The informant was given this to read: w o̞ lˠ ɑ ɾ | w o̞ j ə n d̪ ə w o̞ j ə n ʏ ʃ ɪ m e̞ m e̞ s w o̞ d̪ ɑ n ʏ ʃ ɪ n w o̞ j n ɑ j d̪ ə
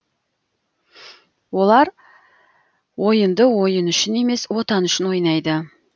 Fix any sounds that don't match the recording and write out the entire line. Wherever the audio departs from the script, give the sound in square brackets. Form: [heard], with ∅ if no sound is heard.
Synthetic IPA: w o̞ lˠ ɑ ɾ | w o̞ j ə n d̪ ə w o̞ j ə n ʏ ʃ ɪ [n] e̞ m e̞ s w o̞ [t̪] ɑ n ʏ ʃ ɪ n w o̞ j n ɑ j d̪ ə